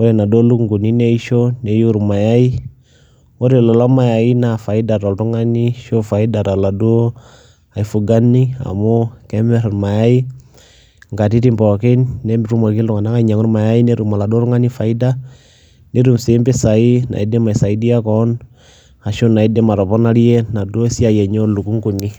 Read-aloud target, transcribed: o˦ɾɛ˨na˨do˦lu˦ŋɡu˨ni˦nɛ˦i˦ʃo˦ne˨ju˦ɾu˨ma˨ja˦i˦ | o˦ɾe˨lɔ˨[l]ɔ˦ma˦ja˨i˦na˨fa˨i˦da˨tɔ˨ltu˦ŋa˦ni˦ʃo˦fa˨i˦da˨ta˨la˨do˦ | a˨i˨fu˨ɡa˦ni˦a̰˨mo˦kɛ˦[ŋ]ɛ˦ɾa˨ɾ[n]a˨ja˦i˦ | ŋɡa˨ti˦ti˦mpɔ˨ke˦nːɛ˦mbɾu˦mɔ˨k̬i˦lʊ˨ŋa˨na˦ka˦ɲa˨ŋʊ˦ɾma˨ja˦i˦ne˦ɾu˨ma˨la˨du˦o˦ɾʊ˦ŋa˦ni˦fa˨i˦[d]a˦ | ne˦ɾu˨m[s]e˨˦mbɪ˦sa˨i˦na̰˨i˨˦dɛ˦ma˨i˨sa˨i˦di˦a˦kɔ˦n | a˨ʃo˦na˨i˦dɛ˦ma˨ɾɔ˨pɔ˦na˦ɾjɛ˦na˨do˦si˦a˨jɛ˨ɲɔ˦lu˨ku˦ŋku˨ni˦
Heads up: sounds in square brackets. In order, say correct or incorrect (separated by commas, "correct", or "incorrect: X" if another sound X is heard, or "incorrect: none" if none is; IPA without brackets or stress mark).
correct, incorrect: m, incorrect: m, correct, correct